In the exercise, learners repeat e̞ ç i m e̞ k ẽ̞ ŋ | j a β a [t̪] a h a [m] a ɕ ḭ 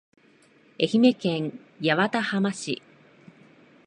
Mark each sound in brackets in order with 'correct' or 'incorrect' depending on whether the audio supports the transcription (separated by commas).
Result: correct, correct